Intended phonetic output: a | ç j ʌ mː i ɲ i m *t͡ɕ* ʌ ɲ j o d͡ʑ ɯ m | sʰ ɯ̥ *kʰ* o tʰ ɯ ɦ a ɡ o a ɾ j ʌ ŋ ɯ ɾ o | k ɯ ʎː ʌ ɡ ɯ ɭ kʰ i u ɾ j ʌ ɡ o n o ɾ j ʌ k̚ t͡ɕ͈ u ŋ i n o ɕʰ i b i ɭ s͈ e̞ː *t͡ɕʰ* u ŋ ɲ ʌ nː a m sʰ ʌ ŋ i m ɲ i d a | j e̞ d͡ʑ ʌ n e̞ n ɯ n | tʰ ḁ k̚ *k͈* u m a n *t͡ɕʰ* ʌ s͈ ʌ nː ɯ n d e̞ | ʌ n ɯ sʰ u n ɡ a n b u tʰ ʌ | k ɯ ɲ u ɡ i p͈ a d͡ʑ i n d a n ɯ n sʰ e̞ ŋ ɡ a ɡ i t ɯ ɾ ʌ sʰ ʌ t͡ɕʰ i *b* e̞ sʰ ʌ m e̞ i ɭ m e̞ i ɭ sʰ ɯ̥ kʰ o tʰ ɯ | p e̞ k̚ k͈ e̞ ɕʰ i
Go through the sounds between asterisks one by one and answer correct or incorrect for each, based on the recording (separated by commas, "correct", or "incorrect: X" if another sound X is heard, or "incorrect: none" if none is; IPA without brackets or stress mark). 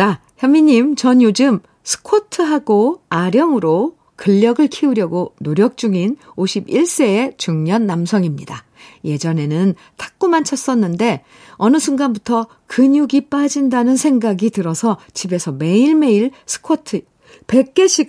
correct, correct, incorrect: t͡ɕ, correct, correct, correct